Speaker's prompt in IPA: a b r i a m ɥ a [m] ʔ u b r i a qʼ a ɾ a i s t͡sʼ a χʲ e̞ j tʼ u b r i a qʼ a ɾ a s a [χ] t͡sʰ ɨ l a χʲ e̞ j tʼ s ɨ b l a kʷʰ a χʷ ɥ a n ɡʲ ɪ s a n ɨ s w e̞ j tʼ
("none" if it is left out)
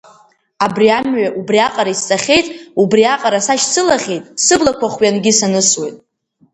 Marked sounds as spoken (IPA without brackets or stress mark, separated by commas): none, ʃ